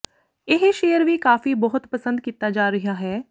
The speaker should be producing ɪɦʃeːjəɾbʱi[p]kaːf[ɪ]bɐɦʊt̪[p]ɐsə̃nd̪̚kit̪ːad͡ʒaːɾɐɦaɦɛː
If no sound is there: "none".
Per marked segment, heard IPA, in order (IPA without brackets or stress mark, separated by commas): none, i, p